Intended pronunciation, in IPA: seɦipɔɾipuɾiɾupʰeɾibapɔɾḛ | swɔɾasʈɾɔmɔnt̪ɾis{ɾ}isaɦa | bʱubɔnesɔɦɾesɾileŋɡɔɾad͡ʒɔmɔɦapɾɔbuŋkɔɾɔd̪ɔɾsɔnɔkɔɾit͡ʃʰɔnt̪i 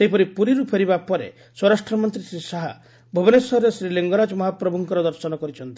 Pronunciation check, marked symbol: correct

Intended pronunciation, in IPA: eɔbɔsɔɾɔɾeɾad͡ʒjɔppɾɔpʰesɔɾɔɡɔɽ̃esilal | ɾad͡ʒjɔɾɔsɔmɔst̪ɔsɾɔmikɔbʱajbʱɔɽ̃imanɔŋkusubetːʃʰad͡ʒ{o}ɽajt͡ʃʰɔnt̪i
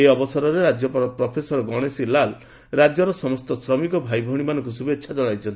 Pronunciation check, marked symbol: incorrect: ɔ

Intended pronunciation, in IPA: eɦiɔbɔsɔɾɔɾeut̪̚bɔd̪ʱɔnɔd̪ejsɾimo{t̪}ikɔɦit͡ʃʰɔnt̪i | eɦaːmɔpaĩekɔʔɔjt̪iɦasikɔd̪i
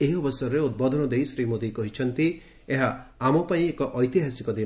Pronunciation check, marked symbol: incorrect: d̪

